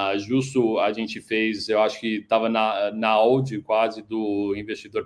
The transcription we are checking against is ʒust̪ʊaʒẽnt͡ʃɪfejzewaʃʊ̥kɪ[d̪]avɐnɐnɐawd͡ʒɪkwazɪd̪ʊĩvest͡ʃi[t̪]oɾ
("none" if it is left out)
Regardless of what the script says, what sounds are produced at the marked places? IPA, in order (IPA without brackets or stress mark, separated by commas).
t̪, d̪